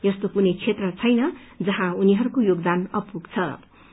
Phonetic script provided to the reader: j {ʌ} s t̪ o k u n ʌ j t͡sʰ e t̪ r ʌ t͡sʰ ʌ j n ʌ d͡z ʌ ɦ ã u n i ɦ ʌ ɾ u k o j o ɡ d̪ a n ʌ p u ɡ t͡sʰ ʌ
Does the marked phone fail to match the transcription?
no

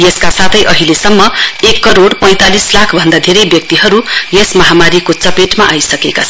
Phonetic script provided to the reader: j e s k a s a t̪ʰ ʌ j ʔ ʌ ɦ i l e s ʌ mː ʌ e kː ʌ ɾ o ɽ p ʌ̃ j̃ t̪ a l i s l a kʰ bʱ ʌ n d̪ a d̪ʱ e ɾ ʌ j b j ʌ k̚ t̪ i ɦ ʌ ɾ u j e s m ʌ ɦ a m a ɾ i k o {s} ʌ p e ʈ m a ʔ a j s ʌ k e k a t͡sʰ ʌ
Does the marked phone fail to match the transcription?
yes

